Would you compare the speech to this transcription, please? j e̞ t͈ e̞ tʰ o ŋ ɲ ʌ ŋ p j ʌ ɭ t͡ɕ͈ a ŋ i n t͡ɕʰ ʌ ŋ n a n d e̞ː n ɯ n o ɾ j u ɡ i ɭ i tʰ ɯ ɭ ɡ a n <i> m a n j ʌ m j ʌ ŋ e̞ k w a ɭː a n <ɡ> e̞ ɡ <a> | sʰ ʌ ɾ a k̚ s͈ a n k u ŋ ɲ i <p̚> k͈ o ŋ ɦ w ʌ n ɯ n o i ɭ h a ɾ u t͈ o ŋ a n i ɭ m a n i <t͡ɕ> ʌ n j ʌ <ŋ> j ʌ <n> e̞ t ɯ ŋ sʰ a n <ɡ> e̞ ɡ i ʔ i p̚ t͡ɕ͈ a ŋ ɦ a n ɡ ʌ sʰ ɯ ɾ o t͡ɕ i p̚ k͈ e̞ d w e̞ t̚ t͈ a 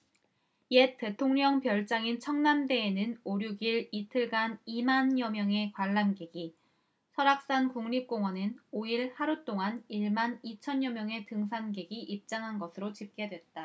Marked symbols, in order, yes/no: yes, yes, no, yes, no, no, no, yes

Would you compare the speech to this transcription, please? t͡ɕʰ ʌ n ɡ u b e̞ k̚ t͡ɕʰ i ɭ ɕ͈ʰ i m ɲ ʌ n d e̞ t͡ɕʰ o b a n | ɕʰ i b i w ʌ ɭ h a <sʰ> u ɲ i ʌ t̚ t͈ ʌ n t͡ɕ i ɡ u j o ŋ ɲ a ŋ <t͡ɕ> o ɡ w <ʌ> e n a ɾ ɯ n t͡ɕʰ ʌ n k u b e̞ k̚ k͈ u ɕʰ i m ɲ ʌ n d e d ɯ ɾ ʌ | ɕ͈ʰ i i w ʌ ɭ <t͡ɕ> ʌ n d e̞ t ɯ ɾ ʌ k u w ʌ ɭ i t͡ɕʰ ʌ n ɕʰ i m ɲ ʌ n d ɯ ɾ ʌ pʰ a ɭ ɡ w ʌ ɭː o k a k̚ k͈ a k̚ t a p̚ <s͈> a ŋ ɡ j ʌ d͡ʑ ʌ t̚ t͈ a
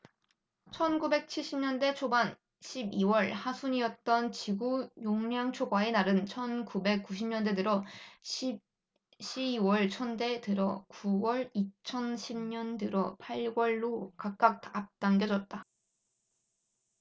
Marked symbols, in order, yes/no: yes, no, no, no, no

